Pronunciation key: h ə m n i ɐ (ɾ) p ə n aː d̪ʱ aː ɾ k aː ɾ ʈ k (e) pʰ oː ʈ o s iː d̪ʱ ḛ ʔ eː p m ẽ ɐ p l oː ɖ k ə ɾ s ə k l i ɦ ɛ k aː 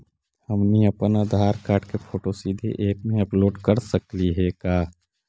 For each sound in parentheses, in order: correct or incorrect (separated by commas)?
incorrect, correct